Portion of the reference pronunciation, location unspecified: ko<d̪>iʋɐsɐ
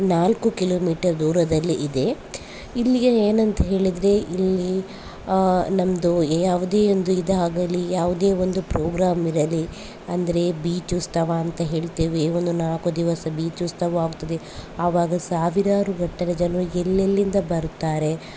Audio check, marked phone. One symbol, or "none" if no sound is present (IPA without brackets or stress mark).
d̪